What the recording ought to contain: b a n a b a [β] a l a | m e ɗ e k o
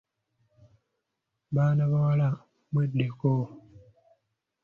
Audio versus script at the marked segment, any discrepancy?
yes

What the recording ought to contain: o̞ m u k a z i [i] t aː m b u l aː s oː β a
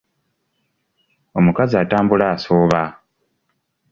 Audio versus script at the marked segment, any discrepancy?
yes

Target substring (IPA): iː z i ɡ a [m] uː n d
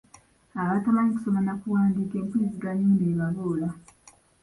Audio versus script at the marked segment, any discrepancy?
yes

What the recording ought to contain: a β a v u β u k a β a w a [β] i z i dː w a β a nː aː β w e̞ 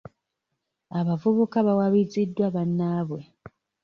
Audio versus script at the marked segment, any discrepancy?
no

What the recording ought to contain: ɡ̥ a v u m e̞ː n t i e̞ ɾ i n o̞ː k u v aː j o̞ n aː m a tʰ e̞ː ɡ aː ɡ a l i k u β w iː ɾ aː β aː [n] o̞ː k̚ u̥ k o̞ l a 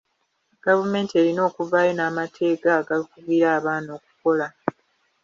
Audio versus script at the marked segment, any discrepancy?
no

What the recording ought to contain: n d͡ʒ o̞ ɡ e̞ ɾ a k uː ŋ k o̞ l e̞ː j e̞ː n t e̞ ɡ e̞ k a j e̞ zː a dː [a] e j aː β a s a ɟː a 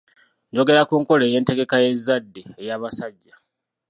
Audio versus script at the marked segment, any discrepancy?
yes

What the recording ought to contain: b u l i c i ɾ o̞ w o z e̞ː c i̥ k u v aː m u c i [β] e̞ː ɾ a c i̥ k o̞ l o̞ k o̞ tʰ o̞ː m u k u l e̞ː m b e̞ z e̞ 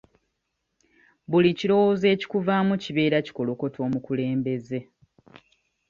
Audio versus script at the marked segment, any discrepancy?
no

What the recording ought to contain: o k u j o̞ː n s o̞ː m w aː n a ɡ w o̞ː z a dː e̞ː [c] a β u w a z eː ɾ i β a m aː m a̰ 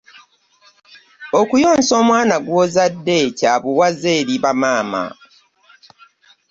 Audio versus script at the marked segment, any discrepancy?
no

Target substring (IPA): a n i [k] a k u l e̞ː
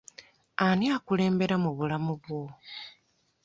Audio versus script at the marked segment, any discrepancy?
yes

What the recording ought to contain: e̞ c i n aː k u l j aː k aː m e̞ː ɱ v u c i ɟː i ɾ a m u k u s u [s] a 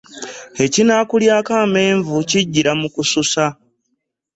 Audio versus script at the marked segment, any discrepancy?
no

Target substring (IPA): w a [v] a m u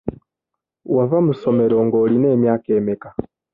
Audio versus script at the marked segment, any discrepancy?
no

